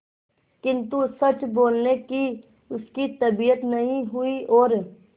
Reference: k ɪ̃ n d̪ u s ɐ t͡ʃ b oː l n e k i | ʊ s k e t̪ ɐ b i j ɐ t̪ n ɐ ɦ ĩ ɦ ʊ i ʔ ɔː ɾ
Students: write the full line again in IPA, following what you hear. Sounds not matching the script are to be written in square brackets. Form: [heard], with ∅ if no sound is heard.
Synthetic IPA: k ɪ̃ n [t̪] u s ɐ t͡ʃ b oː l n e k i | ʊ s k [i] t̪ ɐ b i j [ə] t̪ n ɐ ɦ ĩ ɦ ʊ i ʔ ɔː ɾ